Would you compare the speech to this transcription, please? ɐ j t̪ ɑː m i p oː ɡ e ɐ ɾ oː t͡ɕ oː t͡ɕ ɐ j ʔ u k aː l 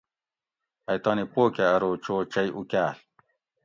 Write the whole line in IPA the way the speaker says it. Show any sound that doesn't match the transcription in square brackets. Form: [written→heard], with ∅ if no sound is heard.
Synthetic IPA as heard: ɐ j t̪ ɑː [m→n] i p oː [ɡ→k] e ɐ ɾ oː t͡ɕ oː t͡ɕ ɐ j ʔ u k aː l

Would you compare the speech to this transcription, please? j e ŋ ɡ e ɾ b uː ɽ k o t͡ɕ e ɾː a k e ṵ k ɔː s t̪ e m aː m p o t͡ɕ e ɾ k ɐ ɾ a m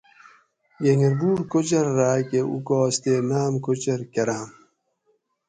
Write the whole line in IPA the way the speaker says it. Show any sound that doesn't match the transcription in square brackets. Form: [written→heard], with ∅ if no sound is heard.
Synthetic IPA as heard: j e ŋ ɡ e ɾ b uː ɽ k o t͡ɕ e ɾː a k e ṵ k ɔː s t̪ e [m→n] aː m [p→k] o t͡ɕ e ɾ k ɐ ɾ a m

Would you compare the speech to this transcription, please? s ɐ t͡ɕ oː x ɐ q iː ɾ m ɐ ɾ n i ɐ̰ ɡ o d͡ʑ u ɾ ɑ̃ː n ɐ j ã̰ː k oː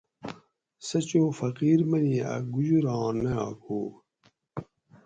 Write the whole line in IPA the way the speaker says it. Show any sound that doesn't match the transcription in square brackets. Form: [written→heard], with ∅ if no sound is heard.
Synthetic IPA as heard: s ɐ t͡ɕ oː [x→f] ɐ q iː ɾ m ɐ [ɾ→∅] n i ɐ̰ ɡ [o→u] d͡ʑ u ɾ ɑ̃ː n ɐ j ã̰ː k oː

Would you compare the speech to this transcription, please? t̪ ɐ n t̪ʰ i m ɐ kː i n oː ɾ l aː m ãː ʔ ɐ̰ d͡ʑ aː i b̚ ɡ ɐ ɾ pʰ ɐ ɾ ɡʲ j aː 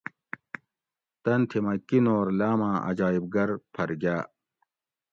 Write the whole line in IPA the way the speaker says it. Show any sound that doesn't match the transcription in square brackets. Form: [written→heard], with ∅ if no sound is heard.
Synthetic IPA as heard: t̪ ɐ n t̪ʰ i m ɐ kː i n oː ɾ l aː m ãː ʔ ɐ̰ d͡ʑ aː i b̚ ɡ ɐ ɾ pʰ ɐ ɾ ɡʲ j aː

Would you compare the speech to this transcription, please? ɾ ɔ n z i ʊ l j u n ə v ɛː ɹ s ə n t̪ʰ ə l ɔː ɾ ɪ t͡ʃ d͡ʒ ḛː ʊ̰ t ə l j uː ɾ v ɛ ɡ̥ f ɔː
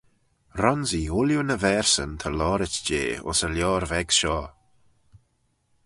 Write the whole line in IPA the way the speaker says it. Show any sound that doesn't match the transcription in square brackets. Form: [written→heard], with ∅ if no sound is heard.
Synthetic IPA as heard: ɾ ɔ n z i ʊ l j u n ə v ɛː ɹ s ə n t̪ʰ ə l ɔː ɾ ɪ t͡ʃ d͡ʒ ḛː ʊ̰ [t→s] ə l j [uː→ɔː] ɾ v ɛ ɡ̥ [f→ʃ] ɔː

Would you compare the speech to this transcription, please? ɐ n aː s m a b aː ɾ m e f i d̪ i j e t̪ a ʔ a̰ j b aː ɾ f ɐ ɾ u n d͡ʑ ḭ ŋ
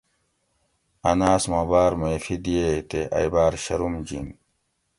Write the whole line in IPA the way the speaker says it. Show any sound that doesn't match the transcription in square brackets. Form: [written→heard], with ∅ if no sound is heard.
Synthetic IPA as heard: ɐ n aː s m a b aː ɾ m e f i d̪ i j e t̪ [a→e] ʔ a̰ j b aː ɾ [f→ɕ] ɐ ɾ u [n→m] d͡ʑ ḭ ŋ

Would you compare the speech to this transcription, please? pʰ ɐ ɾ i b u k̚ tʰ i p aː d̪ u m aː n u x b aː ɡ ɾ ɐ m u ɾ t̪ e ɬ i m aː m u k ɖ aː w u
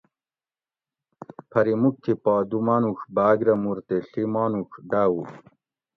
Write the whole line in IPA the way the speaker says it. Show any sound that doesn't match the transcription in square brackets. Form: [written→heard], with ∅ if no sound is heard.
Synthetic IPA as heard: pʰ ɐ ɾ i [b→m] u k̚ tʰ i p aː d̪ u m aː n u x b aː ɡ ɾ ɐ m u ɾ t̪ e ɬ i m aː [m→n] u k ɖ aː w u

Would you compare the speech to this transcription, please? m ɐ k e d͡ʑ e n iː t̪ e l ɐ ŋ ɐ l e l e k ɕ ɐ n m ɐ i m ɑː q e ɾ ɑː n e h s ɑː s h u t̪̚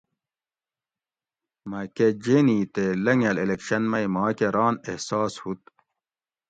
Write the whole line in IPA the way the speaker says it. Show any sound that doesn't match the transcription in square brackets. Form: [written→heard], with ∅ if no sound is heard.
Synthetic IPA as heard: m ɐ k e d͡ʑ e n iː t̪ e l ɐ ŋ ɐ l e l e k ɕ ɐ n m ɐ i m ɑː [q→k] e ɾ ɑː n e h s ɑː s h u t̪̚

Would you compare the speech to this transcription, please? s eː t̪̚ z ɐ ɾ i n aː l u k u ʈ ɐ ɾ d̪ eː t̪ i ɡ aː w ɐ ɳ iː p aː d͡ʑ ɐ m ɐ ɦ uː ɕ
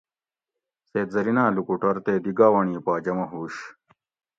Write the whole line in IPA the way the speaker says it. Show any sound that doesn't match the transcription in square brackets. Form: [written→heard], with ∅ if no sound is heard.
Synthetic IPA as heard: s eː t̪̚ z ɐ ɾ i n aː l u k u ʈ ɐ ɾ [d̪→t̪] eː [t̪→d̪] i ɡ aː w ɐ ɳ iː p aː d͡ʑ ɐ m ɐ ɦ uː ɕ

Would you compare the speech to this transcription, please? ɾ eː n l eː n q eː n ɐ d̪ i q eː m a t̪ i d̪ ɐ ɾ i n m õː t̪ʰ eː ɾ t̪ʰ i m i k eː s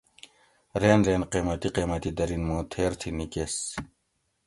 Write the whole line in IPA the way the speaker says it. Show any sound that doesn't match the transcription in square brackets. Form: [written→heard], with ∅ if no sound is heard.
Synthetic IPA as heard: ɾ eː n [l→ɾ] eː n q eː [n→m] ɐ [d̪→t̪] i q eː m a t̪ i d̪ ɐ ɾ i n m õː t̪ʰ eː ɾ t̪ʰ i [m→n] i k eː s

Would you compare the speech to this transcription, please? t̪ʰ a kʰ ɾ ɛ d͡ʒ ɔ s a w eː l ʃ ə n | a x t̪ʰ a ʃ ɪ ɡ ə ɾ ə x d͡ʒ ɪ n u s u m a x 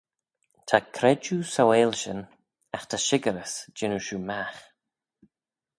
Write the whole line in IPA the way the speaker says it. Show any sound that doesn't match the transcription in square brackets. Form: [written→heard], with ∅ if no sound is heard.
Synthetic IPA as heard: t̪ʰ a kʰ ɾ ɛ d͡ʒ [ɔ→u] s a w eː l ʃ ə n | a x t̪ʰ a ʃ ɪ ɡ ə ɾ ə [x→s] d͡ʒ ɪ n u [s→ʃ] u m a x

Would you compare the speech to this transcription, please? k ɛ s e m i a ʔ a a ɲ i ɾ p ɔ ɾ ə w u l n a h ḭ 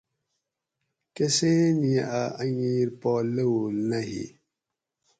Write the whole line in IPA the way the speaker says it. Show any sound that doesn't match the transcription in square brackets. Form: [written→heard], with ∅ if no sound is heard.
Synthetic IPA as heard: k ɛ s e [m→n] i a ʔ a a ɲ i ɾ p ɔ [ɾ→l] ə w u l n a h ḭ

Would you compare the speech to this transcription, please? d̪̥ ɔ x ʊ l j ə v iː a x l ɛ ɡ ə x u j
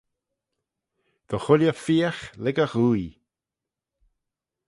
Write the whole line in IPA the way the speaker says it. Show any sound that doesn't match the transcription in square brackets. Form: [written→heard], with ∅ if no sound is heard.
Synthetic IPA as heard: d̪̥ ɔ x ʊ l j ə [v→f] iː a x l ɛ ɡ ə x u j

